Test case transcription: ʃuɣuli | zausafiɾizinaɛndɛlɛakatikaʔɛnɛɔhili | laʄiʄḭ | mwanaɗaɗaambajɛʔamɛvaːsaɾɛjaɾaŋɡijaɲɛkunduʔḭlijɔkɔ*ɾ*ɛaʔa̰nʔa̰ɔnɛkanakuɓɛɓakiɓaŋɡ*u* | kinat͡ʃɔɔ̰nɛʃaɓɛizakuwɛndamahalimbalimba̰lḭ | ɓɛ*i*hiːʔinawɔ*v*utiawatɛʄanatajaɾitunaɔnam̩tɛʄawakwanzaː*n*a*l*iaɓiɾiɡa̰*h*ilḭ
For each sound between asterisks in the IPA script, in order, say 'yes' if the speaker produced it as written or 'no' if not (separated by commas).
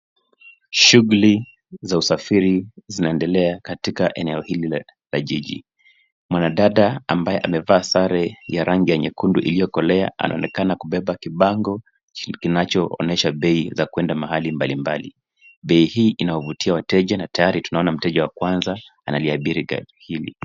no, no, yes, yes, yes, yes, yes